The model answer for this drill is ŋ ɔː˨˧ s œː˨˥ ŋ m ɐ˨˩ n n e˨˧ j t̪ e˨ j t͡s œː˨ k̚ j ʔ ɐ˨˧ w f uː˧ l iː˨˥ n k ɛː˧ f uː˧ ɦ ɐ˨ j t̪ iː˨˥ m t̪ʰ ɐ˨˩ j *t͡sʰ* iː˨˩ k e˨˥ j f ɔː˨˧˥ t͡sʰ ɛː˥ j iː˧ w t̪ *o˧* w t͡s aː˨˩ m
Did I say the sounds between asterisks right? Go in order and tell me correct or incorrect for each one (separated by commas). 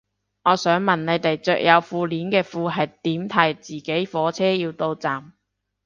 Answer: incorrect, correct